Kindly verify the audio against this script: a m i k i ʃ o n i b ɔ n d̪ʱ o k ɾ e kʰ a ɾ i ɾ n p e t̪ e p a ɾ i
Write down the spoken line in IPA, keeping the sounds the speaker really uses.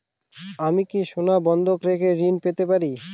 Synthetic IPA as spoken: a m i k i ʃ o n a b ɔ n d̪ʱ o k ɾ e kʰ e ɾ i n p e t̪ e p a ɾ i